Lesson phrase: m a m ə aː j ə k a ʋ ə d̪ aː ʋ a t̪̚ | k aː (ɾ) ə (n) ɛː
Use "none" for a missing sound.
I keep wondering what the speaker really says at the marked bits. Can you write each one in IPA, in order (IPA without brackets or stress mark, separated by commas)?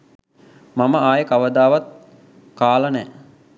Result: l, n